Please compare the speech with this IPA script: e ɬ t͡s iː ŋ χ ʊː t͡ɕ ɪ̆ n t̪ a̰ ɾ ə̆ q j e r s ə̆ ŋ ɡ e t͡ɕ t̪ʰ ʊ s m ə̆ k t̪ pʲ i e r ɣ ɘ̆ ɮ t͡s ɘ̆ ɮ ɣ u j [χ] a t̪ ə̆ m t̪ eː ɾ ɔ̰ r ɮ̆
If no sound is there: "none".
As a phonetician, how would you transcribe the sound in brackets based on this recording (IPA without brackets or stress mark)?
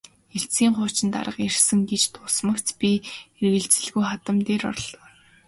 χ